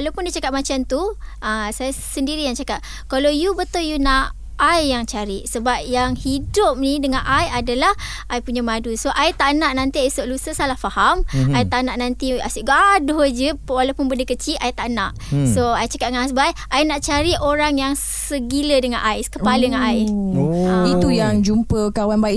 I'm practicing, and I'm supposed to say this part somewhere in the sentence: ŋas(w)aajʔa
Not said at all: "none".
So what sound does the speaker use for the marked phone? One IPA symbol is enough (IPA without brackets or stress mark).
b